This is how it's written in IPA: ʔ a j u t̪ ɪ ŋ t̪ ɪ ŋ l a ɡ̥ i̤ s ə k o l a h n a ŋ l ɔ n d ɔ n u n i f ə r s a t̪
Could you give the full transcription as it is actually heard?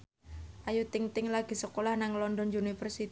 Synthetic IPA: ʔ a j u t̪ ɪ ŋ t̪ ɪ ŋ l a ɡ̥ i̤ s ə k o l a h n a ŋ l ɔ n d ɔ n u n i f ə r s i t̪